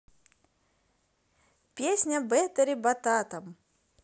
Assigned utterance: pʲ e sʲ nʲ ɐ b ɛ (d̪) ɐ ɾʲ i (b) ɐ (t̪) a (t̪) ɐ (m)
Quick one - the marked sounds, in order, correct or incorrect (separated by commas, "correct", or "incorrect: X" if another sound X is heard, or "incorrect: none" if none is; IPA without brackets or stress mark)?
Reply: incorrect: t̪, correct, correct, correct, correct